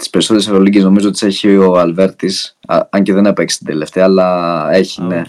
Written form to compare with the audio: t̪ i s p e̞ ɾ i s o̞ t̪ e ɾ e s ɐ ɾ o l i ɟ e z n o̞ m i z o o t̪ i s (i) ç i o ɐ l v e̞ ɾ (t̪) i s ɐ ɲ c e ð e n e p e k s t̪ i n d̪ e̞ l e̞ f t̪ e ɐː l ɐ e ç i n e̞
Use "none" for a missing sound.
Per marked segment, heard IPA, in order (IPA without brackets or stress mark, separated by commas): e, t̪